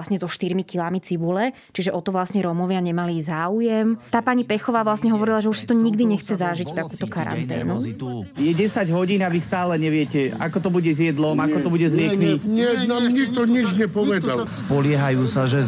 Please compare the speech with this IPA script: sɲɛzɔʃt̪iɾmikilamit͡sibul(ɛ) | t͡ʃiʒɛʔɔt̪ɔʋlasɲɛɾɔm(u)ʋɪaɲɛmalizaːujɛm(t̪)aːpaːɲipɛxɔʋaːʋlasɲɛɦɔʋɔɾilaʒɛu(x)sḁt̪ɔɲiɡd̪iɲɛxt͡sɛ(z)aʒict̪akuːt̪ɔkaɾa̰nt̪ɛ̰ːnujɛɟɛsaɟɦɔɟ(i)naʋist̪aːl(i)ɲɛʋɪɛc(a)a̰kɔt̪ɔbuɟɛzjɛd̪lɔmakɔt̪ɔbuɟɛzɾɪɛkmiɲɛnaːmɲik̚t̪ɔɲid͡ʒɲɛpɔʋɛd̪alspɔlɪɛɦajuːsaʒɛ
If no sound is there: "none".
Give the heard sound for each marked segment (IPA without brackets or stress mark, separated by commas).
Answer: ɛ, ɔ, t̪, ʃ, z, iː, ɛ, ɛ